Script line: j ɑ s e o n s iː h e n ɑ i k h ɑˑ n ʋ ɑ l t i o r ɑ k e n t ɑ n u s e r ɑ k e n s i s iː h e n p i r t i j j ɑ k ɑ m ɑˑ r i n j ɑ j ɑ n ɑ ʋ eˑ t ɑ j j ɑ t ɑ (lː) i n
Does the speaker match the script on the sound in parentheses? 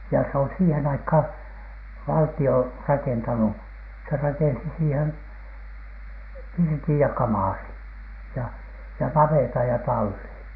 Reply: yes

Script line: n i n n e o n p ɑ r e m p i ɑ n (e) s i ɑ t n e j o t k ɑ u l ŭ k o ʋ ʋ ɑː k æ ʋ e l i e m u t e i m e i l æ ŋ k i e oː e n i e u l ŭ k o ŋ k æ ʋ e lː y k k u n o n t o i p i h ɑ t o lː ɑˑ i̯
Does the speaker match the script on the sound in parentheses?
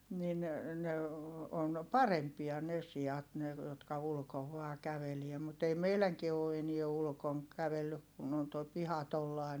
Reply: yes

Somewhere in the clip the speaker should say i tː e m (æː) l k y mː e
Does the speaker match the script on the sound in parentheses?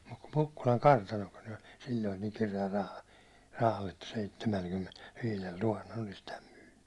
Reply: no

